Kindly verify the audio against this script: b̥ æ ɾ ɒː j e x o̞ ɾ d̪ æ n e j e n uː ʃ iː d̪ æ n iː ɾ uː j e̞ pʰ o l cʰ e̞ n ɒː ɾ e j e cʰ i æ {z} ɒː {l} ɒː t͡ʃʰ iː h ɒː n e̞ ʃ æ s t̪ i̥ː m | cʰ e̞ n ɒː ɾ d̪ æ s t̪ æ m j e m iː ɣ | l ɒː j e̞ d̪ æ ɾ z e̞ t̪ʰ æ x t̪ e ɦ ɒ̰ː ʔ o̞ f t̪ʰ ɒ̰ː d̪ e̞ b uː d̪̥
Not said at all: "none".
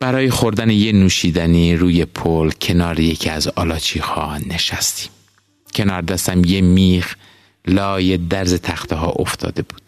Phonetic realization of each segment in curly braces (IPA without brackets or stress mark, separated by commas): z, l